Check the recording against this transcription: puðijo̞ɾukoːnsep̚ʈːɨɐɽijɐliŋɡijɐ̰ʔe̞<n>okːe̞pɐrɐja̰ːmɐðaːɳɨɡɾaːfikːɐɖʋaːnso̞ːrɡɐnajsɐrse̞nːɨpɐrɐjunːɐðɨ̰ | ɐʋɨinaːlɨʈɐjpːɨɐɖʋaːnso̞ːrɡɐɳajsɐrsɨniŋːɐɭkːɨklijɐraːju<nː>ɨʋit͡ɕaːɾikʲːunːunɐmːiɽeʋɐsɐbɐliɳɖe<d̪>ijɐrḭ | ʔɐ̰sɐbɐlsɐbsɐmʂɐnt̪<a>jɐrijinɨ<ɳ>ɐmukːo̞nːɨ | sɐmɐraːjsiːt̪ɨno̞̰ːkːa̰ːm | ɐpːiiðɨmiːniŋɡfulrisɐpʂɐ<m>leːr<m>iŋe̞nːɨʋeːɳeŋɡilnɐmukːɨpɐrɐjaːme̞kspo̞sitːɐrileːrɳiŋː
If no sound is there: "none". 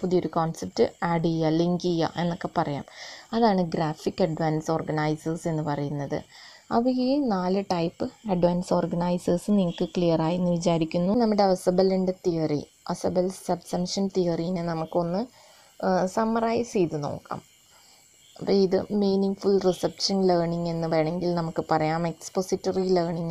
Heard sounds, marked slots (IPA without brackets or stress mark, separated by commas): nː, nː, t̪, i, n, n, ɳ